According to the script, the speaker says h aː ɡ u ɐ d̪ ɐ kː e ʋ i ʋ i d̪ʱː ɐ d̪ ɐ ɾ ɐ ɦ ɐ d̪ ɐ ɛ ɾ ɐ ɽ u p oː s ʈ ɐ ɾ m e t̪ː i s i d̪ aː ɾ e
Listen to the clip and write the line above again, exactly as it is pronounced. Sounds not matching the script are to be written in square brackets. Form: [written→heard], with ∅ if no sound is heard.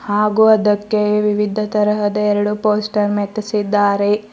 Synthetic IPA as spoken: h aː ɡ u ɐ d̪ ɐ kː e ʋ i ʋ i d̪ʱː ɐ [d̪→t̪] ɐ ɾ ɐ ɦ ɐ d̪ ɐ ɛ ɾ ɐ ɽ u p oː s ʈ ɐ ɾ m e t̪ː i s i [d̪→d̪ː] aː ɾ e

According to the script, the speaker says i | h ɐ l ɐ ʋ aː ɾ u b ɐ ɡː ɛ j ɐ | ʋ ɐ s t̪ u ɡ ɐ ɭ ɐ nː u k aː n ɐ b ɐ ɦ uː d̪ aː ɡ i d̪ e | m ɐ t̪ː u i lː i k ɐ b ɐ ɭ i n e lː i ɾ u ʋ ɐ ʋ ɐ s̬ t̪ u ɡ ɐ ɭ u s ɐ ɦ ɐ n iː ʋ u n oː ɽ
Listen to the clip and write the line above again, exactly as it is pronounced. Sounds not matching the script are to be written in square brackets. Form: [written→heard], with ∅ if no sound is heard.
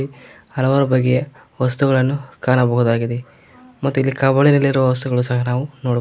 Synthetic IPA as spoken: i | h ɐ l ɐ ʋ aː ɾ u b ɐ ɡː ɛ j ɐ | ʋ ɐ s t̪ u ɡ ɐ ɭ ɐ nː u k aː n ɐ b ɐ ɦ [uː→u] d̪ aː ɡ i d̪ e | m ɐ t̪ː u i lː i k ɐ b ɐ ɭ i n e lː i ɾ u ʋ ɐ ʋ ɐ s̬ t̪ u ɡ ɐ ɭ u s ɐ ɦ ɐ n [iː→aː] ʋ u n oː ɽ

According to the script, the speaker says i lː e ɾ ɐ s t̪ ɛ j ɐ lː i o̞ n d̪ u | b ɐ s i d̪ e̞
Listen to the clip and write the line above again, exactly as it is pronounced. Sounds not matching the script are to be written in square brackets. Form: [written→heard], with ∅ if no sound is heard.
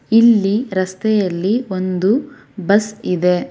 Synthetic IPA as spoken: i lː [e→i] ɾ ɐ s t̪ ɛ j ɐ lː i o̞ n d̪ u | b ɐ s i d̪ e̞

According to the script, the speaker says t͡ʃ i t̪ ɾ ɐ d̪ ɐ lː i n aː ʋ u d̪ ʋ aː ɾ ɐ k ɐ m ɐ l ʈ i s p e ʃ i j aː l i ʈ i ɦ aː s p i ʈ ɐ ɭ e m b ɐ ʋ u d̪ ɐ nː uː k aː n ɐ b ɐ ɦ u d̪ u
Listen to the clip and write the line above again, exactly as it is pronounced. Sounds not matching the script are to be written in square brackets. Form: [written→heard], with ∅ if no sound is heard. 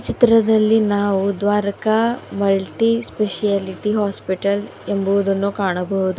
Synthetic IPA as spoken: t͡ʃ i t̪ ɾ ɐ d̪ ɐ lː i n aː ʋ u d̪ ʋ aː ɾ ɐ k ɐ m ɐ l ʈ i s p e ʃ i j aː l i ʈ i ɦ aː s p i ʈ ɐ [ɭ→l] e m b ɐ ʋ u d̪ ɐ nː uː k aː [n→ɳ] ɐ b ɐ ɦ u d̪ u

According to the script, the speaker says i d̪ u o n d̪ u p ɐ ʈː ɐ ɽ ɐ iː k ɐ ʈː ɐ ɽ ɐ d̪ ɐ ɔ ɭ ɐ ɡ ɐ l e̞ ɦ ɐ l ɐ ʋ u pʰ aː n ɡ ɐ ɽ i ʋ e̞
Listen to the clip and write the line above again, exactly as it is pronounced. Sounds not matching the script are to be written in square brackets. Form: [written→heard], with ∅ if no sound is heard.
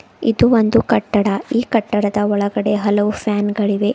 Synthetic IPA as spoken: i d̪ u o n d̪ u [p→k] ɐ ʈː ɐ ɽ ɐ iː k ɐ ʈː ɐ ɽ ɐ d̪ ɐ ɔ ɭ ɐ ɡ ɐ [l→ɽ] e̞ ɦ ɐ l ɐ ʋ u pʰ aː n ɡ ɐ [ɽ→ɭ] i ʋ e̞

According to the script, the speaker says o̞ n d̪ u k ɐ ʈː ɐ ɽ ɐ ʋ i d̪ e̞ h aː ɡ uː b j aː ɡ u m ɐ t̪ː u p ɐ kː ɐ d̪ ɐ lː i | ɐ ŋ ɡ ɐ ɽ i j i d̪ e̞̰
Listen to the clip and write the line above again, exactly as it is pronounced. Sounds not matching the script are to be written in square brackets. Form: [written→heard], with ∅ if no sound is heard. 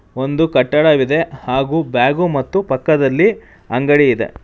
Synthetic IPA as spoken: o̞ n d̪ u k ɐ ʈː ɐ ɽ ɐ ʋ i d̪ e̞ h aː ɡ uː b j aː ɡ u m ɐ t̪ː u p ɐ kː ɐ d̪ ɐ lː i | ɐ ŋ ɡ ɐ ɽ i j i d̪ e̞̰

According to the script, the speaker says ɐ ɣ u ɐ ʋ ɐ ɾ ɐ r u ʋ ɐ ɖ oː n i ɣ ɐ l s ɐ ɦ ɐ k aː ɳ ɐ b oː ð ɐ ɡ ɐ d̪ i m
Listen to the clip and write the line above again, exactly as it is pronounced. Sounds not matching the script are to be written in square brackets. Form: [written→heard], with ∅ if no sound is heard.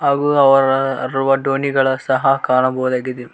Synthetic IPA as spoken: ɐ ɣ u ɐ ʋ ɐ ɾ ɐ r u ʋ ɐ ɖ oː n i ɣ ɐ [l→ɭ] s ɐ ɦ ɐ k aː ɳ ɐ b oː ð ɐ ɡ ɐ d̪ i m

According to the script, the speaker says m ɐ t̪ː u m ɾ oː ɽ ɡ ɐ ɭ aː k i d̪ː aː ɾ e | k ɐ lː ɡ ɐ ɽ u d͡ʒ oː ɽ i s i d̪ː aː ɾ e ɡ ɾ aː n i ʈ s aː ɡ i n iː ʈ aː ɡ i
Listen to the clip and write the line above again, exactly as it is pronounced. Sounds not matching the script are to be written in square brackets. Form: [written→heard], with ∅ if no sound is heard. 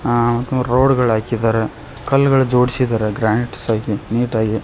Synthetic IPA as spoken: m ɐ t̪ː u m ɾ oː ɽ ɡ ɐ ɭ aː k i [d̪ː→d̪] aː ɾ e | k ɐ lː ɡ ɐ [ɽ→ɭ] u d͡ʒ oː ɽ i s i [d̪ː→d̪] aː ɾ e ɡ ɾ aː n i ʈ s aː ɡ i n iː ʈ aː ɡ i

